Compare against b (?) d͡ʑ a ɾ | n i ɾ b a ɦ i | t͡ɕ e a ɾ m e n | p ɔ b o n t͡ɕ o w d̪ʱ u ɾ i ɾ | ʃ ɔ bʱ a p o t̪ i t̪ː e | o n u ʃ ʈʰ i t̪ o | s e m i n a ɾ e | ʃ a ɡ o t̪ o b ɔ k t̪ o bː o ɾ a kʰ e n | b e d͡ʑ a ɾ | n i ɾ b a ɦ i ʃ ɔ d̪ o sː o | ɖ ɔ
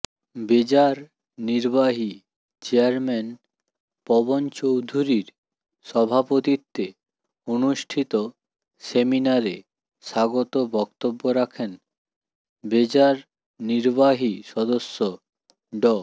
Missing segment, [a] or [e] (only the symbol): e